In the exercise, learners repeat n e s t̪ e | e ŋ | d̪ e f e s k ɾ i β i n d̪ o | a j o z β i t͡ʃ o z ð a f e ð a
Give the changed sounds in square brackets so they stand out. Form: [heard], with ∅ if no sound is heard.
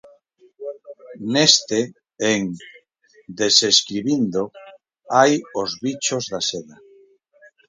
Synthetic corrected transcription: n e s t̪ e | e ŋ | d̪ e [s] e s k ɾ i β i n d̪ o | a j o z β i t͡ʃ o z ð a [s] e ð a